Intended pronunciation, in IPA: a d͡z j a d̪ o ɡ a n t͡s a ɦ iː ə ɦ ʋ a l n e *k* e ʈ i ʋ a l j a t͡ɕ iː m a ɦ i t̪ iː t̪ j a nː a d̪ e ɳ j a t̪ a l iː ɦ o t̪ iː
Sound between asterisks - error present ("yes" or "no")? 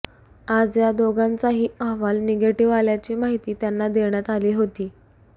yes